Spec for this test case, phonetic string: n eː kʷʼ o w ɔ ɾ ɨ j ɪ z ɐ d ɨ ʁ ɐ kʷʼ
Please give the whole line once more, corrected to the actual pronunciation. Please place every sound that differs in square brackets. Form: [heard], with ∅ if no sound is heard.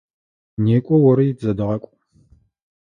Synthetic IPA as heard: n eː kʷʼ [ɔ] w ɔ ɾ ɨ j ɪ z ɐ d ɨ ʁ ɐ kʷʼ